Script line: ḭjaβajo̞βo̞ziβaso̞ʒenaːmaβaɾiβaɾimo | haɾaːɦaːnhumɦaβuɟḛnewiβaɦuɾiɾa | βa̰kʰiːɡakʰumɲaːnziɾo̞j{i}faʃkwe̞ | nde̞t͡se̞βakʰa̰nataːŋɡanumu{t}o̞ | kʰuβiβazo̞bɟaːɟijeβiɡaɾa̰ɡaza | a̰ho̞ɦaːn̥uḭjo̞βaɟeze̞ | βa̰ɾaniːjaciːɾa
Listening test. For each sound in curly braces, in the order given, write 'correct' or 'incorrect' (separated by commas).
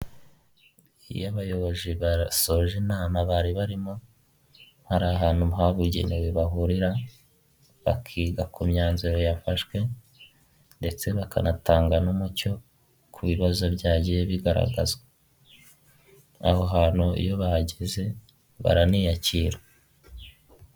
incorrect, incorrect